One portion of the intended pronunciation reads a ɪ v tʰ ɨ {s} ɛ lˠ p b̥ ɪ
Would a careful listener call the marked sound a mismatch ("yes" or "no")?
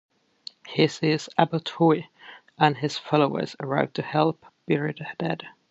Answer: yes